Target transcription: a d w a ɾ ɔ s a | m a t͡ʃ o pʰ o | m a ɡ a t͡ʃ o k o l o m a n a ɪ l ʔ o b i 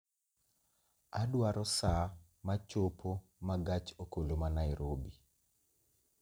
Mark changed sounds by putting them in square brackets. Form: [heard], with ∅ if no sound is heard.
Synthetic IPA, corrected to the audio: a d w a ɾ ɔ s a | m a t͡ʃ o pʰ o | m a ɡ a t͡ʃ o k o l o m a n a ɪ [ɾ] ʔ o b i